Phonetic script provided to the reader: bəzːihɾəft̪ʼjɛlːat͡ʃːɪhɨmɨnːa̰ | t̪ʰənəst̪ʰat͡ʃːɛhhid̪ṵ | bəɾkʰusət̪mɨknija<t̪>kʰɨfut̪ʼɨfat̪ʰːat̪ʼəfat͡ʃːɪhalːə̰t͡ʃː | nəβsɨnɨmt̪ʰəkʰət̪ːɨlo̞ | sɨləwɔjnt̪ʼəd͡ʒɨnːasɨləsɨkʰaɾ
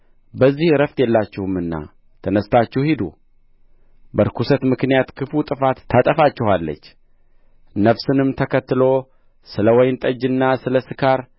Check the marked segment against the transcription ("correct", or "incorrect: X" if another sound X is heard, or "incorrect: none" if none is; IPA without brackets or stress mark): correct